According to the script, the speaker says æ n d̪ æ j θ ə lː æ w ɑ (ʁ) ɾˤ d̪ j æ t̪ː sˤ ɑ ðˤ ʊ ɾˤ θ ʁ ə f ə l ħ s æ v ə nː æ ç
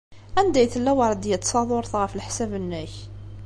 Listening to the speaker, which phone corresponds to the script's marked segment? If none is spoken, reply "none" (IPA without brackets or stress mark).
none